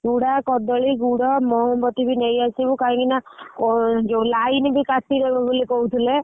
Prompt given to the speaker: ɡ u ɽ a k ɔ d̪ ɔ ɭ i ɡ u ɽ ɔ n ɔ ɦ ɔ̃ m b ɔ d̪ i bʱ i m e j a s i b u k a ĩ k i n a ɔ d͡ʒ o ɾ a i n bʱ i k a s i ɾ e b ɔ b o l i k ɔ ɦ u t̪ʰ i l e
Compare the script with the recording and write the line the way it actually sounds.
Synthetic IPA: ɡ u ɽ a k ɔ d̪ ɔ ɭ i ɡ u ɽ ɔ m ɔ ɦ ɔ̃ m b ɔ t̪ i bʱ i n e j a s i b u k a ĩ k i n a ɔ d͡ʒ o l a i n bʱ i k a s i ɾ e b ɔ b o l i k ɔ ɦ u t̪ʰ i l e